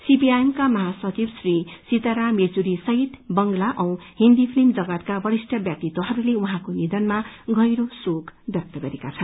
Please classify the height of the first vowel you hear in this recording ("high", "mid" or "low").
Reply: high